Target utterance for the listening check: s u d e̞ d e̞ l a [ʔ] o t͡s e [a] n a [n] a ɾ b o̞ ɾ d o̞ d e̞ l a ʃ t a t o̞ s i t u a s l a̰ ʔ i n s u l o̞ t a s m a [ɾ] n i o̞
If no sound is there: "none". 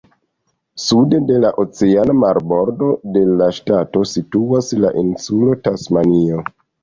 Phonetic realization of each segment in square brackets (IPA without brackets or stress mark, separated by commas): ʔ, a, m, none